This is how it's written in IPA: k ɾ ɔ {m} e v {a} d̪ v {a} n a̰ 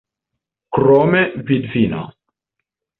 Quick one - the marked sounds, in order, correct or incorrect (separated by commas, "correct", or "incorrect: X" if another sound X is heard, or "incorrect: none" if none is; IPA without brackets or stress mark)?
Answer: correct, incorrect: i, incorrect: i